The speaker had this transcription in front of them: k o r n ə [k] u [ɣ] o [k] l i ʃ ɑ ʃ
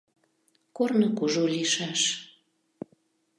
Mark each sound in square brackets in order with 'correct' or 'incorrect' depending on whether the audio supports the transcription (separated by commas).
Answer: correct, incorrect, incorrect